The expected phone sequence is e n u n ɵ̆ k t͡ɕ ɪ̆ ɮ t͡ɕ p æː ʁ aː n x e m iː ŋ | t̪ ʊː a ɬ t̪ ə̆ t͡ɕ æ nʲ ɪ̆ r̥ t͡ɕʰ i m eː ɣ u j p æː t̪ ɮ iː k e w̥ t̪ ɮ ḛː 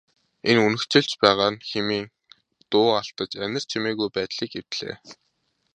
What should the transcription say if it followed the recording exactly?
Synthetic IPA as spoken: e n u n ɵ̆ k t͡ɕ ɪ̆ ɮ t͡ɕ p æː ʁ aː n x e m iː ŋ | t̪ ʊː a ɬ t̪ ə̆ t͡ɕ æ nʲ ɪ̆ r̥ t͡ɕʰ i m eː ɣ u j p æː t̪ ɮ iː k e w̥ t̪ ɮ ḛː